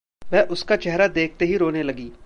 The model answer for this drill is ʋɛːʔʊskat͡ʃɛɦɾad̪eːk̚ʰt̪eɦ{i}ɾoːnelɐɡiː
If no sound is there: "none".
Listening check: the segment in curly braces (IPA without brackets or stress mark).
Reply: i